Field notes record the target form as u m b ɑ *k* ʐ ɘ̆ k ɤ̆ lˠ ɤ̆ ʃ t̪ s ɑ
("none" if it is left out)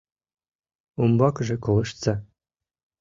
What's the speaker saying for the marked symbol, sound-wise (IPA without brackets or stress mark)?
k